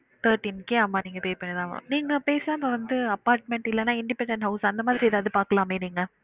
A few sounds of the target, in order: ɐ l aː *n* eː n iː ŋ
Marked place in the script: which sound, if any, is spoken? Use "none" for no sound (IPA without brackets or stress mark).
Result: m